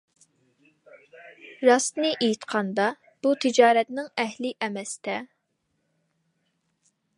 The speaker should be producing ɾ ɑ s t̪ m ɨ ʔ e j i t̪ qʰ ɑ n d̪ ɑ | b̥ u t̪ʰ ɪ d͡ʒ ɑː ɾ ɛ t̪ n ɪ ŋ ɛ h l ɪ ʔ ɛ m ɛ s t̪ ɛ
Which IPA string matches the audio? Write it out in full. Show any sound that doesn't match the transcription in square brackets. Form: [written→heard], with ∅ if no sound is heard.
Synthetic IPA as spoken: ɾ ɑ s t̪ [m→n] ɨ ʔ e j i t̪ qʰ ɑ n d̪ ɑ | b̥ u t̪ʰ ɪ d͡ʒ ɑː ɾ ɛ t̪ n ɪ ŋ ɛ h l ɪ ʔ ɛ m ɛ s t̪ ɛ